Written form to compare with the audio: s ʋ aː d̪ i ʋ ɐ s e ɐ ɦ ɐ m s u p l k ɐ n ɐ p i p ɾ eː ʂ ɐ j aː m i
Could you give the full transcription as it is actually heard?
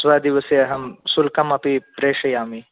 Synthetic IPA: s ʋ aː d̪ i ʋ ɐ s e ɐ ɦ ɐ m s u l k ɐ m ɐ p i p ɾ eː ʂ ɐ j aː m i